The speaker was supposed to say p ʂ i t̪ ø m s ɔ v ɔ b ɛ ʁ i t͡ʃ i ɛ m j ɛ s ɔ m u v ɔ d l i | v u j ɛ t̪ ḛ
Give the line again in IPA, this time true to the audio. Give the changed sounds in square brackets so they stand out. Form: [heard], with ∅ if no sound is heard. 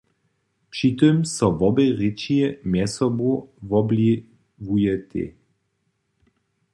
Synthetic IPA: p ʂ i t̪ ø m s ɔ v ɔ b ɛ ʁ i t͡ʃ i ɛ m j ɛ s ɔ [b] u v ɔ [b] l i | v u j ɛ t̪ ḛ